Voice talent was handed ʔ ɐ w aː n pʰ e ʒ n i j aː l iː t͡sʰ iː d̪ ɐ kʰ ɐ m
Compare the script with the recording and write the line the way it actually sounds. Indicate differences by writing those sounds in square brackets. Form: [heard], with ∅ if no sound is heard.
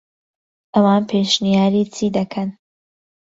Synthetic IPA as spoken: ʔ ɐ w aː n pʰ e [ʃ] n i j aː [ɾ] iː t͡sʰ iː d̪ ɐ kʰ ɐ [n]